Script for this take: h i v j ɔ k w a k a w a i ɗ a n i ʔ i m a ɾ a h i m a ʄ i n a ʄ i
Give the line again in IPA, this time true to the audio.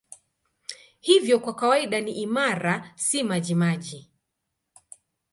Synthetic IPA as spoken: h i v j ɔ k w a k a w a i ɗ a n i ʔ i m a ɾ a s i m a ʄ i m a ʄ i